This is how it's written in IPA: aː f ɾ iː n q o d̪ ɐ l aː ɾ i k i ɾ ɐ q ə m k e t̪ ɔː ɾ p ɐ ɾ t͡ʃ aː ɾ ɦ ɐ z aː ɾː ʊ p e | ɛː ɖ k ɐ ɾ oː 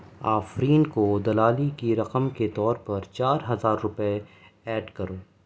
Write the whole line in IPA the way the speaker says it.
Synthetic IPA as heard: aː f ɾ iː n k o d̪ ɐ l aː l i k i ɾ ɐ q ə m k e t̪ ɔː ɾ p ɐ ɾ t͡ʃ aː ɾ ɦ ɐ z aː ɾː ʊ p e | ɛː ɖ k ɐ ɾ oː

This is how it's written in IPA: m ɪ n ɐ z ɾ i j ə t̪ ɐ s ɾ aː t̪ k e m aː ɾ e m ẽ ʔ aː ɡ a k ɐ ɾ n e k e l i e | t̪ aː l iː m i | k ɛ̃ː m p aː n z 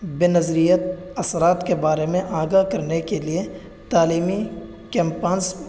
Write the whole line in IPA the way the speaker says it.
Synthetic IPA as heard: b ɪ n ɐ z ɾ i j ə t̪ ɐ s ɾ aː t̪ k e b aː ɾ e m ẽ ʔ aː ɡ a k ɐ ɾ n e k e l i e | t̪ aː l iː m i | k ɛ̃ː m p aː n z

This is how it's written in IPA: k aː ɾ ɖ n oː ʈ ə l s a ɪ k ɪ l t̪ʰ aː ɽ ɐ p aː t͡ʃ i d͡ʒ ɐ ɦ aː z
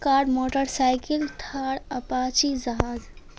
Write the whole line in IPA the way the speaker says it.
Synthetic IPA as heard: k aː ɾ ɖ m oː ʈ ə ɾ s a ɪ k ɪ l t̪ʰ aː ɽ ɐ p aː t͡ʃ i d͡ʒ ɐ ɦ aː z

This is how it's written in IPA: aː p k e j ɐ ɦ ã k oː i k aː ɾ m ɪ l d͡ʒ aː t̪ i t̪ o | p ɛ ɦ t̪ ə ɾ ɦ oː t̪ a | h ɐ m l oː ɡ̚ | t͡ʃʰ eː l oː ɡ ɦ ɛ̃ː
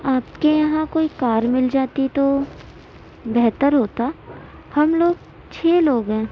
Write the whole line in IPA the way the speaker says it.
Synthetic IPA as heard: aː p k e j ɐ ɦ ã k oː i k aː ɾ m ɪ l d͡ʒ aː t̪ i t̪ o | b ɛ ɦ t̪ ə ɾ ɦ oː t̪ a | h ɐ m l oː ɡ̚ | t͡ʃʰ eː l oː ɡ ɦ ɛ̃ː

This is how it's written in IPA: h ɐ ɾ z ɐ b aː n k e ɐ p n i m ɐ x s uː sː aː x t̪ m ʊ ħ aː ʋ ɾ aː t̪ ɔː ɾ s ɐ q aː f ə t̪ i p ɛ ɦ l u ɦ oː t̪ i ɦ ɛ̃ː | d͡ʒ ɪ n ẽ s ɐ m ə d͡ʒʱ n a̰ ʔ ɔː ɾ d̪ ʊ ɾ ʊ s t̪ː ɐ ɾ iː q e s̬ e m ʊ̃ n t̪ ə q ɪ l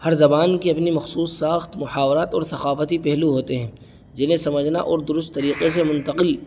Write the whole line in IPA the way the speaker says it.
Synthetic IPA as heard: h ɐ ɾ z ɐ b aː n k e ɐ p n i m ɐ x s uː sː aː x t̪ m ʊ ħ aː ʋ ɾ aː t̪ ɔː ɾ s ɐ q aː f ə t̪ i p ɛ ɦ l u ɦ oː t̪ e ɦ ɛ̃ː | d͡ʒ ɪ n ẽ s ɐ m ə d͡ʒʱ n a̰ ʔ ɔː ɾ d̪ ʊ ɾ ʊ s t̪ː ɐ ɾ iː q e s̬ e m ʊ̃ n t̪ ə q ɪ l

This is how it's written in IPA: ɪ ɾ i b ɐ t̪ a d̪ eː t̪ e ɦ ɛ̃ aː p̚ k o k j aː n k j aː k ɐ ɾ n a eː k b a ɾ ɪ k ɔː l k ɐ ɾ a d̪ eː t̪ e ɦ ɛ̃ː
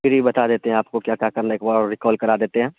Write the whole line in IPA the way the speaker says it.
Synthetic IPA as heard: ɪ ɾ i b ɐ t̪ a d̪ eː t̪ e ɦ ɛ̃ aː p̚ k o k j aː k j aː k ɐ ɾ n a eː k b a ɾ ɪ k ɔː l k ɐ ɾ a d̪ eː t̪ e ɦ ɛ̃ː

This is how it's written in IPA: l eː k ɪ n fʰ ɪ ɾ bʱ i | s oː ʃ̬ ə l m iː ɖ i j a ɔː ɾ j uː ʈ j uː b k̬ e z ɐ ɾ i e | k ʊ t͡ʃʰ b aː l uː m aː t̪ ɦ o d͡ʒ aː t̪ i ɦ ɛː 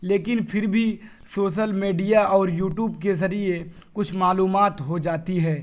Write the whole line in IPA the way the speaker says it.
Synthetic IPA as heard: l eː k ɪ n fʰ ɪ ɾ bʱ i | s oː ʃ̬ ə l m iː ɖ i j a ɔː ɾ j uː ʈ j uː b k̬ e z ɐ ɾ i e | k ʊ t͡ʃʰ m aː l uː m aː t̪ ɦ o d͡ʒ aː t̪ i ɦ ɛː

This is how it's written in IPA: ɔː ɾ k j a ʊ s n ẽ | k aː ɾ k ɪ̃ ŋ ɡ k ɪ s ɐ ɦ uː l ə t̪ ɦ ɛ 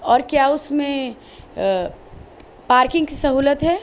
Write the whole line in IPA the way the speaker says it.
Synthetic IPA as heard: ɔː ɾ k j a ʊ s m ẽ | p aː ɾ k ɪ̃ ŋ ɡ k i s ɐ ɦ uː l ə t̪ ɦ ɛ

